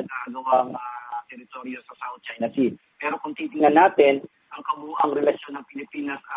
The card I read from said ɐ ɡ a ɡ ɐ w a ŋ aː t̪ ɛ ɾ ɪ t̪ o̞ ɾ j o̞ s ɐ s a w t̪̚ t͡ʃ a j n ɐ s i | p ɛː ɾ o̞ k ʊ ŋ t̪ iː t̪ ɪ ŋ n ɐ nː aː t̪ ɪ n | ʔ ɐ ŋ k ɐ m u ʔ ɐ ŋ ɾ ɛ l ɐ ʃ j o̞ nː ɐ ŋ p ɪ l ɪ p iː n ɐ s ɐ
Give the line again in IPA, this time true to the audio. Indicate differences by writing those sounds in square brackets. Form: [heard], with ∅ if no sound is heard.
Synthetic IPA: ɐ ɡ a ɡ ɐ w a ŋ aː t̪ ɛ ɾ ɪ t̪ o̞ ɾ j o̞ s ɐ s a w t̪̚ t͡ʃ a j n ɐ s i | p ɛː ɾ o̞ k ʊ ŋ t̪ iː t̪ ɪ ŋ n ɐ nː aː t̪ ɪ n | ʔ ɐ ŋ k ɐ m u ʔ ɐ ŋ ɾ ɛ l ɐ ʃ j o̞ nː ɐ ŋ p ɪ l ɪ p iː n ɐ s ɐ